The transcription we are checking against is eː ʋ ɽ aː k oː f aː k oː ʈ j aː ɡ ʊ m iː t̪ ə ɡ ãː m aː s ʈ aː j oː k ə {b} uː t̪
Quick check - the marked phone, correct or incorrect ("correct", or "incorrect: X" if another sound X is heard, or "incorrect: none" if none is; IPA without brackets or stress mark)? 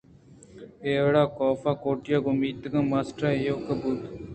correct